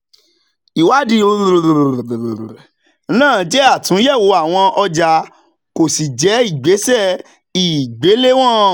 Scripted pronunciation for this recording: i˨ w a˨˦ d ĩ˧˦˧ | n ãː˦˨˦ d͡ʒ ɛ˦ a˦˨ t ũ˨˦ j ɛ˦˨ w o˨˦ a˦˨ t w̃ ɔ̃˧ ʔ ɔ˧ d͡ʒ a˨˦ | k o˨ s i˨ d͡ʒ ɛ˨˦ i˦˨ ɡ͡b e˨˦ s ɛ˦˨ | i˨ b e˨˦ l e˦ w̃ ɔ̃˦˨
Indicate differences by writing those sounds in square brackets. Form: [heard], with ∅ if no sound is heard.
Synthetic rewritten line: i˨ w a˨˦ d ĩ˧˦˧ | n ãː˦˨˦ d͡ʒ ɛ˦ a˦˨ t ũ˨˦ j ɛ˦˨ w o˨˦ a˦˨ [∅] w̃ ɔ̃˧ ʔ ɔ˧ d͡ʒ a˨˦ | k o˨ s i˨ d͡ʒ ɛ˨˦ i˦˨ ɡ͡b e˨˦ s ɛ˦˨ | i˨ [ɡ͡b] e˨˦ l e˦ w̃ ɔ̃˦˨